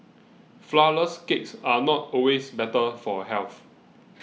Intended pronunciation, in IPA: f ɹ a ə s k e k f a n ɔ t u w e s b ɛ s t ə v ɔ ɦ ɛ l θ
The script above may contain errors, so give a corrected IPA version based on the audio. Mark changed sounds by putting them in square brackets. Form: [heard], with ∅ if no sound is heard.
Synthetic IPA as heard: f [l] a ə s k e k [s] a n ɔ t [ɔ] w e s b ɛ [∅] t ə [f] ɔ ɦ ɛ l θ